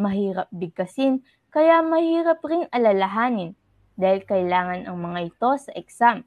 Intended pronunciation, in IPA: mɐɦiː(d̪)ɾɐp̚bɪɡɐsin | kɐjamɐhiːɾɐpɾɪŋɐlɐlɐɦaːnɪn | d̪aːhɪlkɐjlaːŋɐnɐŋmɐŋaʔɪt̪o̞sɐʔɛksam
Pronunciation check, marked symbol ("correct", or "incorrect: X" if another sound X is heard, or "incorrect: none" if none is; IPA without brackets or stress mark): incorrect: none